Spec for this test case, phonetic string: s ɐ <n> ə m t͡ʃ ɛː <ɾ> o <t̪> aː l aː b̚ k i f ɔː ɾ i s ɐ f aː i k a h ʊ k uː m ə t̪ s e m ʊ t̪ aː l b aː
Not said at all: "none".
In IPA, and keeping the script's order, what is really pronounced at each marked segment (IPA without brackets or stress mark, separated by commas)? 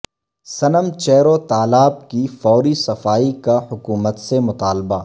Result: n, ɾ, t̪